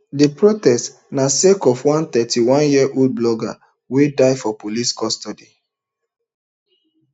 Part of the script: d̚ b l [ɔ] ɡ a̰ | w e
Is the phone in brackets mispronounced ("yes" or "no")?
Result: no